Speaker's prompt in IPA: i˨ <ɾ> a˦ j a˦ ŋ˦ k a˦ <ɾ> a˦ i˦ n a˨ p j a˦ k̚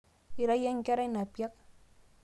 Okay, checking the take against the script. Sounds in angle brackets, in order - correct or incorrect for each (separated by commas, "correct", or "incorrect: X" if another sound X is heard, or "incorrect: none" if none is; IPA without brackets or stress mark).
correct, correct